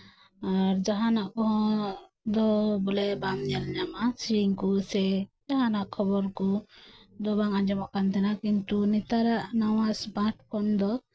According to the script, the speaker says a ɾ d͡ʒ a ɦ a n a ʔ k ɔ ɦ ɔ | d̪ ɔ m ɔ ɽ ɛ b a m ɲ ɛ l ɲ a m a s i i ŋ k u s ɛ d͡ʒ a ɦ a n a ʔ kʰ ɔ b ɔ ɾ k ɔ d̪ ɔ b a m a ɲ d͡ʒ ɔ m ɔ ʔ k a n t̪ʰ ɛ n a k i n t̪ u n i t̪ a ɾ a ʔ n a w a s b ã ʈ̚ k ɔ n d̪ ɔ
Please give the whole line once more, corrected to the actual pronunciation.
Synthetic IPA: a ɾ d͡ʒ a ɦ a n a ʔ k ɔ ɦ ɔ | d̪ ɔ b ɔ l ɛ b a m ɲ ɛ l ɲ a m a s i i ŋ k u s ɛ d͡ʒ a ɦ a n a ʔ kʰ ɔ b ɔ ɾ k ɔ d̪ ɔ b a ŋ a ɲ d͡ʒ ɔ m ɔ ʔ k a n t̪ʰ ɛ n a k i n t̪ u n i t̪ a ɾ a ʔ n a w a s b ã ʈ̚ k ɔ n d̪ ɔ